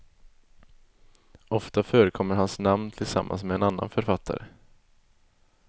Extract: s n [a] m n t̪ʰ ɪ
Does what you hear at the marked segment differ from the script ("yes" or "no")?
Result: no